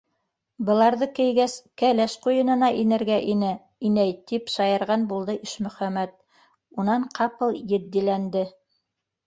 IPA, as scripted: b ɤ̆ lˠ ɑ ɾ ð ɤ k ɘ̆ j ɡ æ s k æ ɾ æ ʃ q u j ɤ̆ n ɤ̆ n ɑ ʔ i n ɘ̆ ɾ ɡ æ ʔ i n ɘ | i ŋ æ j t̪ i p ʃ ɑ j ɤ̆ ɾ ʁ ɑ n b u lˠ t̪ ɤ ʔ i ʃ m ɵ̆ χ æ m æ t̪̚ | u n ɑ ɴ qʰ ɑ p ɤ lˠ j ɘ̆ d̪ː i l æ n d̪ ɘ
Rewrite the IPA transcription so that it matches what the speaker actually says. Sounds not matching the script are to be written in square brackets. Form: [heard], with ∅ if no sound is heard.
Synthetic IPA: b ɤ̆ lˠ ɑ ɾ ð ɤ k ɘ̆ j ɡ æ s k æ [l] æ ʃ q u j ɤ̆ n ɤ̆ n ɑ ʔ i n ɘ̆ ɾ ɡ æ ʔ i n ɘ | i [n] æ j t̪ i p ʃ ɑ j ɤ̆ ɾ ʁ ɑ n b u lˠ [d̪] ɤ ʔ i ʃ m ɵ̆ χ æ m æ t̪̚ | u n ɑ ɴ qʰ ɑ p ɤ lˠ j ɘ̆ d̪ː i l æ n d̪ ɘ